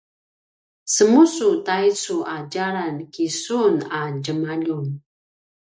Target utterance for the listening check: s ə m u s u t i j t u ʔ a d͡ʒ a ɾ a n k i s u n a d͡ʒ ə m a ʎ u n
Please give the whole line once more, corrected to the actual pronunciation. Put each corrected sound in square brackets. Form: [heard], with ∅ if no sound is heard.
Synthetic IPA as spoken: s ə m u s u t [a] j [t͡s] u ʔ a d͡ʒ a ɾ a n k i s u n a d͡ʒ ə m a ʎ u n